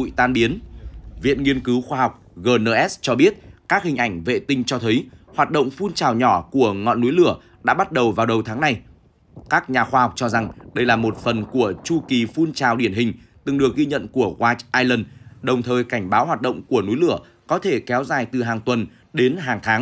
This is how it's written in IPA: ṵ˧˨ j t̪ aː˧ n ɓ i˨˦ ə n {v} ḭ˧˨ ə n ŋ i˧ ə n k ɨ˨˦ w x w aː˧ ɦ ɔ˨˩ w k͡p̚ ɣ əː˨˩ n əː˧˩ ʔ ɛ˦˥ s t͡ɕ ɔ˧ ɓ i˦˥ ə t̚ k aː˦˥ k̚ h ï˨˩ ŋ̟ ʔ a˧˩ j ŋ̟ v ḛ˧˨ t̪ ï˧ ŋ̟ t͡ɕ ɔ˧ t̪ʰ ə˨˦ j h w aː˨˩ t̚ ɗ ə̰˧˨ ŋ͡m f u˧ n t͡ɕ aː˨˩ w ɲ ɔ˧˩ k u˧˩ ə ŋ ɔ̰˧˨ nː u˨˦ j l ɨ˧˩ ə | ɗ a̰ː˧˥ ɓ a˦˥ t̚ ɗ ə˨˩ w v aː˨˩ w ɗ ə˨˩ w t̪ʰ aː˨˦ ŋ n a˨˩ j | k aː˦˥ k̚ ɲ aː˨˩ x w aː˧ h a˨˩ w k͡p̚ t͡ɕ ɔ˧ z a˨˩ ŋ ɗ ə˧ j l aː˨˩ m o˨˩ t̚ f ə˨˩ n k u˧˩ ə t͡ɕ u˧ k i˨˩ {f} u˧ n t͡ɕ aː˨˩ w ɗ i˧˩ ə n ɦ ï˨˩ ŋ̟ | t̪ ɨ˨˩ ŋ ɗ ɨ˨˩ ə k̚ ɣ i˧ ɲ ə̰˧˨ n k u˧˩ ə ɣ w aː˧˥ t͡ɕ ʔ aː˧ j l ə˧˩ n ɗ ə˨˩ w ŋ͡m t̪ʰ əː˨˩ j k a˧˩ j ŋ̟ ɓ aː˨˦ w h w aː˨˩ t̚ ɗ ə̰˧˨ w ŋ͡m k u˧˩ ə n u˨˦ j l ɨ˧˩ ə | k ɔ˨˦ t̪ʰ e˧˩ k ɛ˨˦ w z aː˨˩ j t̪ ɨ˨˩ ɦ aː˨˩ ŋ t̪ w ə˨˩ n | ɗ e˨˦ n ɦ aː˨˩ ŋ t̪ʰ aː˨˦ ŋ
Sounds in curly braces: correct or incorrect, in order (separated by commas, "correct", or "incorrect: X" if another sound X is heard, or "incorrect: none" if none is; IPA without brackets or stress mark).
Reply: correct, correct